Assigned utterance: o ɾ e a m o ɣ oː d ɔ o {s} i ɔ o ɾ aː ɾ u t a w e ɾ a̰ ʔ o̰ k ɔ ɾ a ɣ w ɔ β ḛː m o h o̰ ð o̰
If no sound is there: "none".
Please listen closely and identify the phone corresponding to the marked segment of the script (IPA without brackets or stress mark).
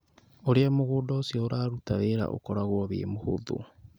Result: s